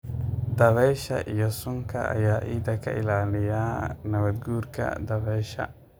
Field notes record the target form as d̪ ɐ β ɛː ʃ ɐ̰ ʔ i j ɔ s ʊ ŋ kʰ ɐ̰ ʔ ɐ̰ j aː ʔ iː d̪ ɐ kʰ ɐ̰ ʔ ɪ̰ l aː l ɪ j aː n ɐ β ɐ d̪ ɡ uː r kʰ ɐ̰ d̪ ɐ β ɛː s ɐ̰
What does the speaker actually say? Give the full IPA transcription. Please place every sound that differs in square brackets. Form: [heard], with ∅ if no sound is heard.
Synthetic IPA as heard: d̪ ɐ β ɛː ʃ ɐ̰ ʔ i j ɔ s ʊ ŋ kʰ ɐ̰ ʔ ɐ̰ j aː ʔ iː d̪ ɐ kʰ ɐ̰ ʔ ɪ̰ l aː l ɪ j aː n ɐ β ɐ d̪ ɡ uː r kʰ ɐ̰ d̪ ɐ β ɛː [ʃ] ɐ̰